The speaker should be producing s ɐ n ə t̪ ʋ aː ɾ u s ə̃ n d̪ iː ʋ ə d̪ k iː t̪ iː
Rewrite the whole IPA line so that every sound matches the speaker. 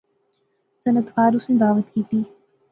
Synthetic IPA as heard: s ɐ n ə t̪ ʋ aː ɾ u s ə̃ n d̪ aː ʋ ə t̪ k iː t̪ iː